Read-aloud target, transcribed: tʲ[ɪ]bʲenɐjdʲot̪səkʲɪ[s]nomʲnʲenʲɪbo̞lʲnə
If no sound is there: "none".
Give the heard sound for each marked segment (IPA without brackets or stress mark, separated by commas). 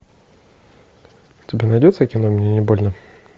ɪ, none